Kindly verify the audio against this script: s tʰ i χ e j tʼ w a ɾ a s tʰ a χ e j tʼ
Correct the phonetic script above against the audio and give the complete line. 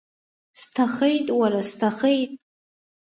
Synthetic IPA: s tʰ a χ e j tʼ w a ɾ a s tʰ a χ e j tʼ